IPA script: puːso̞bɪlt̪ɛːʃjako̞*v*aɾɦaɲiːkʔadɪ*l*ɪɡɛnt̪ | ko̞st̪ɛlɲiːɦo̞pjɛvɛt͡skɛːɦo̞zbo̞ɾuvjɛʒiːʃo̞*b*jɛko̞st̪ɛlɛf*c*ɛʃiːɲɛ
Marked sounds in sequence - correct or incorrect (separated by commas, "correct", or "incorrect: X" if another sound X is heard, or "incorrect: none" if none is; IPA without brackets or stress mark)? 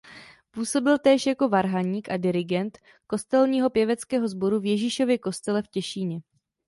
correct, incorrect: ɾ, incorrect: v, correct